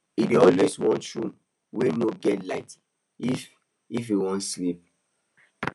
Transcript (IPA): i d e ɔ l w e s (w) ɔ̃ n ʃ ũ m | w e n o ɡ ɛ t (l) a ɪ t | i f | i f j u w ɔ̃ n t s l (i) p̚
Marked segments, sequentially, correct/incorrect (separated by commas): correct, correct, correct